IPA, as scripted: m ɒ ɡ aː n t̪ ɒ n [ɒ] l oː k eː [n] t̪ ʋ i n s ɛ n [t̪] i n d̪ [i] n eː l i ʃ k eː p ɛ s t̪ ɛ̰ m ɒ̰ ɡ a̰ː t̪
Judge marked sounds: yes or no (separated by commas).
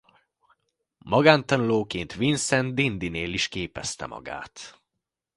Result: no, yes, no, yes